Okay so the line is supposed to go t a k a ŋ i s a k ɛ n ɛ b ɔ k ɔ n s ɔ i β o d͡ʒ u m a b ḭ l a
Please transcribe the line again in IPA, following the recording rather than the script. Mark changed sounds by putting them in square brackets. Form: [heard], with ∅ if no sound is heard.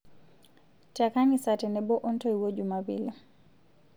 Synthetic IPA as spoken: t a k a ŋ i s a [t] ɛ n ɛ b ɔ [ʔ] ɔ n [t] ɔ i [w] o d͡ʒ u m a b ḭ l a